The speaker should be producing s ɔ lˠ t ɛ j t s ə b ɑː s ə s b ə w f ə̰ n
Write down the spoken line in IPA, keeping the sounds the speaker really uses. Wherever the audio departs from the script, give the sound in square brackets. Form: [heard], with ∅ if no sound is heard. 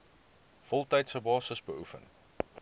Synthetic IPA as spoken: [f] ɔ lˠ t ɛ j t s ə b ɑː s ə s b ə [u] f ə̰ n

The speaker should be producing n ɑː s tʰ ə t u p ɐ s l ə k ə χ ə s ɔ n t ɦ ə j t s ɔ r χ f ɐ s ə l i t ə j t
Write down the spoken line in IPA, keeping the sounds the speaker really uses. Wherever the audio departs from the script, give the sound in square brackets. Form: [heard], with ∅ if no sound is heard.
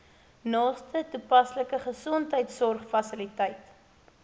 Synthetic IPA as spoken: n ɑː s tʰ ə t u p ɐ s l ə k ə χ ə s ɔ n t ɦ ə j t s ɔ r χ f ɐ s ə l i t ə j t

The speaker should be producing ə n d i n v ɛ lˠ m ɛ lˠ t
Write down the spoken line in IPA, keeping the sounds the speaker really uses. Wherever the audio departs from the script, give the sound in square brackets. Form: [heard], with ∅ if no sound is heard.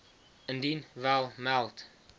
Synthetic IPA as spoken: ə n d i n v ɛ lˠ m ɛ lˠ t

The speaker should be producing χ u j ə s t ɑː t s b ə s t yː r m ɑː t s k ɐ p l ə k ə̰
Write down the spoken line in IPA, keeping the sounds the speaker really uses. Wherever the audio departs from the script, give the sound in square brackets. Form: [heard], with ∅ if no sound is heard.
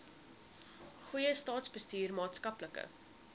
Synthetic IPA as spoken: χ u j ə s t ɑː t s b ə s t yː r m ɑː t s k ɐ p l ə k ə̰

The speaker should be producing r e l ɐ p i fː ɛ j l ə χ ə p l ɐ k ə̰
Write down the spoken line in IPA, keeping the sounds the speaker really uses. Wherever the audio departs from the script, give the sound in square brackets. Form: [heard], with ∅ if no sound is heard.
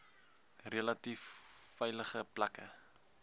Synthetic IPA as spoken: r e l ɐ [t] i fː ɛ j l ə χ ə p l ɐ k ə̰

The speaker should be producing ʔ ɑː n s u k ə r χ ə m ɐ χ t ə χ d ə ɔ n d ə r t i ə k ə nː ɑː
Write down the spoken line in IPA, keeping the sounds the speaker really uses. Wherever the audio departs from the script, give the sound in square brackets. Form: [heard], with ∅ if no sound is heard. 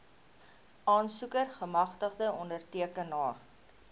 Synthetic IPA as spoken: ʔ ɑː n s u k ə r χ ə m ɐ χ t ə χ d ə ɔ n d ə r t i ə k ə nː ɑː

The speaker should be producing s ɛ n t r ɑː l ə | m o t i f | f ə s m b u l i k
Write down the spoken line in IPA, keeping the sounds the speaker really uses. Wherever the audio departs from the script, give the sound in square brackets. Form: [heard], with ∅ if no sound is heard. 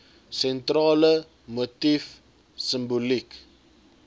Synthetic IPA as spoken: s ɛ n t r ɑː l ə | m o t i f | [s] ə [∅] m b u l i k

